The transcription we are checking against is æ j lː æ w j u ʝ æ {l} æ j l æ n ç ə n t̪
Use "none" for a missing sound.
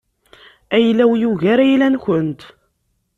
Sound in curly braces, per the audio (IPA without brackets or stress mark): ɾ